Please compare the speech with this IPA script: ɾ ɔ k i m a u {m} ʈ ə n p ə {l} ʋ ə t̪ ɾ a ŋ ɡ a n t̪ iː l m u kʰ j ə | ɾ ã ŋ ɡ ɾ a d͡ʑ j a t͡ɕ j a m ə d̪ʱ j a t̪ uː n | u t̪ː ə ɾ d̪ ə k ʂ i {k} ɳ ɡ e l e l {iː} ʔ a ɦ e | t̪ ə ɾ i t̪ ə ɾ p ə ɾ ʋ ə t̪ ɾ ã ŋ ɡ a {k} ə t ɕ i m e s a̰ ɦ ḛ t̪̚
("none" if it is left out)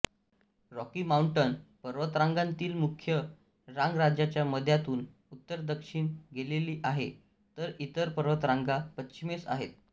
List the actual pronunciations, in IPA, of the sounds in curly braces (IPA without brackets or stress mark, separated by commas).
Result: ɳ, ɾ, none, iː, p